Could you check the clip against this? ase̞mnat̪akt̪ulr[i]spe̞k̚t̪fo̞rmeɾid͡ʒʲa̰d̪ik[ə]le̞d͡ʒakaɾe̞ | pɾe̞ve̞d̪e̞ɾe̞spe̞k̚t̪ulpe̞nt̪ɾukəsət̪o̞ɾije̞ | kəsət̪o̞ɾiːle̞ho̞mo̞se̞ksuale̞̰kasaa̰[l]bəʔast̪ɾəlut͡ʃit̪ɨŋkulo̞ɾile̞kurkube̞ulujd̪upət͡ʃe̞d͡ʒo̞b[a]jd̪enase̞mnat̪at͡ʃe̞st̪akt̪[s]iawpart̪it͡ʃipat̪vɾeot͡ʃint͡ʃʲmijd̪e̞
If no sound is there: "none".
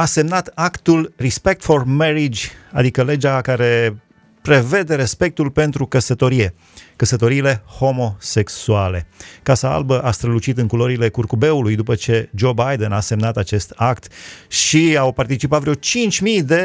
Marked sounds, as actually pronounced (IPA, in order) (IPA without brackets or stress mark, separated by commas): i, ə, l, a, ʃ